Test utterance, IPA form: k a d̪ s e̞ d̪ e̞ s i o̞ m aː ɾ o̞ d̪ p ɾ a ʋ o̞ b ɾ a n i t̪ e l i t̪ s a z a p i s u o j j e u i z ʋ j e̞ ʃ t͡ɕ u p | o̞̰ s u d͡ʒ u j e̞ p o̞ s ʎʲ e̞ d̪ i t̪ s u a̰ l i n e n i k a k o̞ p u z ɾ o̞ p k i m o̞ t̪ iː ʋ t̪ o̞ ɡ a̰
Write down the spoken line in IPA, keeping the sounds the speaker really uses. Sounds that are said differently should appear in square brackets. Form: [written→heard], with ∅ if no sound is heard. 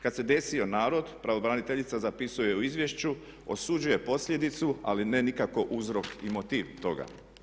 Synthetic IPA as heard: k a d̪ s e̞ d̪ e̞ s i o̞ [m→n] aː ɾ o̞ d̪ p ɾ a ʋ o̞ b ɾ a n i t̪ e [l→ʎ] i t̪ s a z a p i s u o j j e u i z ʋ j e̞ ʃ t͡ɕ u [p→∅] | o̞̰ s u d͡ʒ u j e̞ p o̞ s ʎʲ e̞ d̪ i t̪ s u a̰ l i n e n i k a k o̞ [p→ʔ] u z ɾ o̞ [p→∅] k i m o̞ t̪ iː ʋ t̪ o̞ ɡ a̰

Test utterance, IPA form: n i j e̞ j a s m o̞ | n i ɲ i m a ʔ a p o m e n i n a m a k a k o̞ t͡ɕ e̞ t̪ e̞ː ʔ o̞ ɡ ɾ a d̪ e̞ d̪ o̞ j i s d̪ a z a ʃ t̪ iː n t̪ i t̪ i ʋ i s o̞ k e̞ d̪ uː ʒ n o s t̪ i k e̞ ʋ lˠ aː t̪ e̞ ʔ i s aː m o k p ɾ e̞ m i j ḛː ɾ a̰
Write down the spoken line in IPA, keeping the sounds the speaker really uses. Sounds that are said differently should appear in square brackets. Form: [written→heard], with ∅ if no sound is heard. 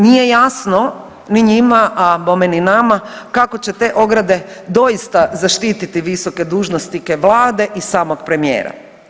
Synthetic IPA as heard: n i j e̞ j a s [m→n] o̞ | n i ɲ i m a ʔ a p o m e n i n a m a k a k o̞ t͡ɕ e̞ t̪ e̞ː ʔ o̞ ɡ ɾ a d̪ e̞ d̪ o̞ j i s [d̪→t̪] a z a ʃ t̪ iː [n→∅] t̪ i t̪ i ʋ i s o̞ k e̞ d̪ uː ʒ n o s t̪ i k e̞ ʋ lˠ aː [t̪→d̪] e̞ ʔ i s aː m o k p ɾ e̞ m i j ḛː ɾ a̰

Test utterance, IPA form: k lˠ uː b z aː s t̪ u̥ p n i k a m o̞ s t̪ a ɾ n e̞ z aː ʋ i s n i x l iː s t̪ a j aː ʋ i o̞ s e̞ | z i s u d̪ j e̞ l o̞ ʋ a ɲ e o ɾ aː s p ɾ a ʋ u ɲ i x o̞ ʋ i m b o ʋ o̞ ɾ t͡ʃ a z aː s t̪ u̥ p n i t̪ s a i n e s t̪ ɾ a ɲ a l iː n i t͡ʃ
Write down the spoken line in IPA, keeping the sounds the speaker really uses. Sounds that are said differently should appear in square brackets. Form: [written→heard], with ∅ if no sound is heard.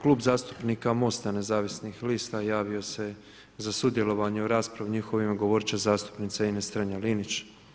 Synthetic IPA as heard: k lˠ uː b z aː s t̪ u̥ p n i k a m o̞ s t̪ a [ɾ→∅] n e̞ z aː ʋ i s n i x l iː s t̪ a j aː ʋ i o̞ s e̞ | z [i→a] s u d̪ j e̞ l o̞ ʋ a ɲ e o ɾ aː s p ɾ a ʋ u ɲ i x o̞ ʋ i m [b→ɡ] o ʋ o̞ ɾ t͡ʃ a z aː s t̪ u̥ p n i t̪ s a i n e s t̪ ɾ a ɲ a l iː n i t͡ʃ

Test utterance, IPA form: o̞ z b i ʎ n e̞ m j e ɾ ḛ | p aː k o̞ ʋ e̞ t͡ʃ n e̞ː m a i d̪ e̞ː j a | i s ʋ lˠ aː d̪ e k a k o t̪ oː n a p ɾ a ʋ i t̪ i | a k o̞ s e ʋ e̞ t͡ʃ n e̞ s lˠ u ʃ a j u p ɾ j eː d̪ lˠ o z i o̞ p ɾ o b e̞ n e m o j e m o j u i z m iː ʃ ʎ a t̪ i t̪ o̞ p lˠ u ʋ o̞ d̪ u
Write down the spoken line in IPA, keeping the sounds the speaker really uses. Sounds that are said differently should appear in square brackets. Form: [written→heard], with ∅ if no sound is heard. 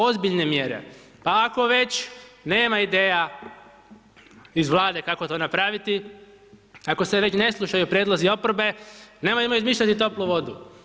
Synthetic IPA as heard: o̞ z b i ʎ n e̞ m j e ɾ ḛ | p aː k o̞ ʋ e̞ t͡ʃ n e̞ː m a i d̪ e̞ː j a | i [s→z] ʋ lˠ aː d̪ e k a k o t̪ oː n a p ɾ a ʋ i t̪ i | a k o̞ s e ʋ e̞ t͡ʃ n e̞ s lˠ u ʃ a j u p ɾ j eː d̪ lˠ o z i o̞ p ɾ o b e̞ n e m o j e m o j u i z m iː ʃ ʎ a t̪ i t̪ o̞ p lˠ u ʋ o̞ d̪ u

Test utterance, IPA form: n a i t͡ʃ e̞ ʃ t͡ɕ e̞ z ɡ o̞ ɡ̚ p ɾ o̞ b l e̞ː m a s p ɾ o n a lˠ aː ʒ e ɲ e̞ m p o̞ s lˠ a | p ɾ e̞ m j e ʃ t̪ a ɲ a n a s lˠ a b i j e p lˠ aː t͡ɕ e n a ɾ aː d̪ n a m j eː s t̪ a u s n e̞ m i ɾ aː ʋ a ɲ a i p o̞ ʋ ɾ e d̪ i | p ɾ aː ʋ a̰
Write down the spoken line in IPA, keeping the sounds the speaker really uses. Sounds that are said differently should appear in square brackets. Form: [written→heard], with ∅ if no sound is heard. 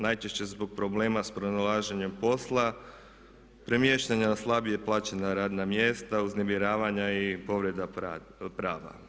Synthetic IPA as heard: n a [i→j] t͡ʃ e̞ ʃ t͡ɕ e̞ z [ɡ→b] o̞ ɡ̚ p ɾ o̞ b l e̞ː m a s p ɾ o n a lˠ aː ʒ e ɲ e̞ m p o̞ s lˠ a | p ɾ e̞ m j e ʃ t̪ a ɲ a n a s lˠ a b i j e p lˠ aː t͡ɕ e n a ɾ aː d̪ n a m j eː s t̪ a u [s→z] n e̞ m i ɾ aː ʋ a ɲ a i p o̞ ʋ ɾ e d̪ [i→a] | p ɾ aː ʋ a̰

